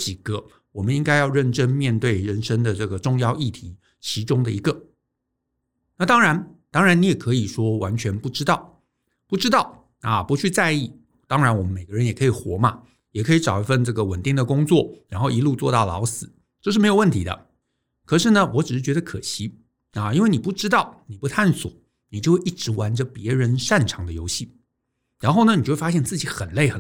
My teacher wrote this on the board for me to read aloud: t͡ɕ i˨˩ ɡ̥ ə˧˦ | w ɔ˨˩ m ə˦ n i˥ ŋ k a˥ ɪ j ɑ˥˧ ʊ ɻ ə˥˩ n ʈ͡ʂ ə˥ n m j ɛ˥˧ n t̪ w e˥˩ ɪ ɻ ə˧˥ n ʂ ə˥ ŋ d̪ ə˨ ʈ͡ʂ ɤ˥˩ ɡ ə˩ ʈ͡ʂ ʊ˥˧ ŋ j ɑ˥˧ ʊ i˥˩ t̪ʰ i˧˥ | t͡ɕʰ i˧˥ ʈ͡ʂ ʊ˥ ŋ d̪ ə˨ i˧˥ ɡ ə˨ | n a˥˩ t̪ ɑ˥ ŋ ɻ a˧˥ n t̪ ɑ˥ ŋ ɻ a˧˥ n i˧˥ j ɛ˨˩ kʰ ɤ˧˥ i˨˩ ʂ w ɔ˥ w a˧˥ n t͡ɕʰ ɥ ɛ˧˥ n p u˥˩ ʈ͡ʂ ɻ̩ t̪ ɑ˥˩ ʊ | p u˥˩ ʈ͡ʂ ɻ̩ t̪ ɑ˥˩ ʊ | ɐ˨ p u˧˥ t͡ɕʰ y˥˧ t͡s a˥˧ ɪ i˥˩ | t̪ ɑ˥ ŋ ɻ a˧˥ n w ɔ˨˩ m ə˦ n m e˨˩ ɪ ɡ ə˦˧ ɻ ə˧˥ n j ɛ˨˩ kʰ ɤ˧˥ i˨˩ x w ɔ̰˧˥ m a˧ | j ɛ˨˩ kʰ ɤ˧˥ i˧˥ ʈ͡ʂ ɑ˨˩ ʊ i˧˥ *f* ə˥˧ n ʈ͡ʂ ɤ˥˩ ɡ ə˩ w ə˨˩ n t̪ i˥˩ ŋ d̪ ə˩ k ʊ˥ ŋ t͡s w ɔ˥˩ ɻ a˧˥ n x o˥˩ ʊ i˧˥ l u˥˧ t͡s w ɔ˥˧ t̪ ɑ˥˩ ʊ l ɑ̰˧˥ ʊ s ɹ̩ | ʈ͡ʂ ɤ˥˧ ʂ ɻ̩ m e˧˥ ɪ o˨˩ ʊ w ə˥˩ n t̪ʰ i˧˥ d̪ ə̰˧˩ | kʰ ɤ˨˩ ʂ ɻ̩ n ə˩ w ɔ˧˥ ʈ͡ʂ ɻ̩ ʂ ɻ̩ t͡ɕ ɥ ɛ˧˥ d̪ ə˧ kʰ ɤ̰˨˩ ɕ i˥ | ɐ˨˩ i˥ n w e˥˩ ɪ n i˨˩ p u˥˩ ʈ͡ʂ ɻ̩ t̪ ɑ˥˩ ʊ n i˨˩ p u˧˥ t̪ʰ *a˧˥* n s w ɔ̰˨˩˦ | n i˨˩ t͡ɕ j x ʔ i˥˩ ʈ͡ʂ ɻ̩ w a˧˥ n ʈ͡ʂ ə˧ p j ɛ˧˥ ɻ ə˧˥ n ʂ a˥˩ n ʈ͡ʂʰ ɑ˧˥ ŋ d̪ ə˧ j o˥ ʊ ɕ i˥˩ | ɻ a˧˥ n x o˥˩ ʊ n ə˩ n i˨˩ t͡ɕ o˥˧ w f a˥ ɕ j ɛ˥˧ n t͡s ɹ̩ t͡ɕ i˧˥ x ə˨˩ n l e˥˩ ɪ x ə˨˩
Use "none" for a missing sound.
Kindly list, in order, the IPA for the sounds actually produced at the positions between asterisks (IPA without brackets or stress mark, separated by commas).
f, a˥˩